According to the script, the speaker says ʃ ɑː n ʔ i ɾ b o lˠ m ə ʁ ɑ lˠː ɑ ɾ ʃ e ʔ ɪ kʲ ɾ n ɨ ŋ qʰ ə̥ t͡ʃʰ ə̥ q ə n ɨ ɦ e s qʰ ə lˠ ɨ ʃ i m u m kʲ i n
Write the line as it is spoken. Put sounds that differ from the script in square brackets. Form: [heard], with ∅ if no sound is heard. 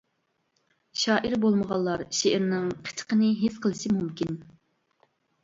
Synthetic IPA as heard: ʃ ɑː [∅] ʔ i ɾ b o lˠ m ə ʁ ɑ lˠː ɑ ɾ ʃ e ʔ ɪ [∅] ɾ n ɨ ŋ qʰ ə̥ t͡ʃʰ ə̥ q ə n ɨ ɦ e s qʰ ə lˠ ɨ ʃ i m u m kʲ i n

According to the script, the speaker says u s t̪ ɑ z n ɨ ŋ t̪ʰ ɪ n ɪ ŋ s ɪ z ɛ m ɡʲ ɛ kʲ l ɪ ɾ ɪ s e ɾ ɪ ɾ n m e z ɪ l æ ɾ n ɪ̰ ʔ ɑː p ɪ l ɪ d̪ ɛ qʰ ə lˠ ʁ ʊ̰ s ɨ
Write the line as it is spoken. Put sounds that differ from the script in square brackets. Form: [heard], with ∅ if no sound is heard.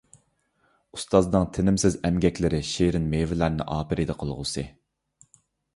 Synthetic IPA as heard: u s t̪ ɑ z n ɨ ŋ t̪ʰ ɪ n ɪ [m] s ɪ z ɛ m ɡʲ ɛ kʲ l ɪ ɾ ɪ [ʃ] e ɾ ɪ [∅] n m e [v] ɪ l æ ɾ n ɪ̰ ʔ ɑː p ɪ [ɾ] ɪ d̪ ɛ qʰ ə lˠ ʁ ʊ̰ s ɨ

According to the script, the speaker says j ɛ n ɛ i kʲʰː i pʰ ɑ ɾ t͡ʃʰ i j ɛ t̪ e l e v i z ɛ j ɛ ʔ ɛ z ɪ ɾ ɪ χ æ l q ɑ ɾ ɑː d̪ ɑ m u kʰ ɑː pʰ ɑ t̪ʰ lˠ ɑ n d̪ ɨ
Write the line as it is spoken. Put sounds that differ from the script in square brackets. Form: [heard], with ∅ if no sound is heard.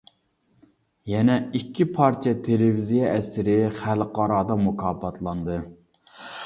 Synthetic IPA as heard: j ɛ n ɛ i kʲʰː i pʰ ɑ ɾ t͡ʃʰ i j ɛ [t̪ʰ] e l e v i z [i] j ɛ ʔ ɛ [s] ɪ ɾ ɪ χ æ l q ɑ ɾ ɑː d̪ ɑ m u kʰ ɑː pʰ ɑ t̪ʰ lˠ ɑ n d̪ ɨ

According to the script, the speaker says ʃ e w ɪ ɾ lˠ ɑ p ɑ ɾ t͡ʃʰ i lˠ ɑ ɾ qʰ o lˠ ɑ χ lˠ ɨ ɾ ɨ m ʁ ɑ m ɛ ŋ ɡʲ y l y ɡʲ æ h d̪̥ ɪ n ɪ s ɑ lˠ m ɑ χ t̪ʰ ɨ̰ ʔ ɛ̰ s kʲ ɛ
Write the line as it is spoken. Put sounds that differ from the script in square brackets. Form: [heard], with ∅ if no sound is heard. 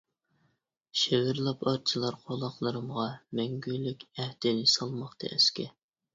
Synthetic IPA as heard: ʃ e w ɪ ɾ lˠ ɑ p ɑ ɾ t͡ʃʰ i lˠ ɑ ɾ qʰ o lˠ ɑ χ lˠ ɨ ɾ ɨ m ʁ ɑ m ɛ ŋ ɡʲ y l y [kʲ] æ h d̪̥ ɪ n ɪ s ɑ lˠ m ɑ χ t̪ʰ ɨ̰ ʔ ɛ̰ s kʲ ɛ

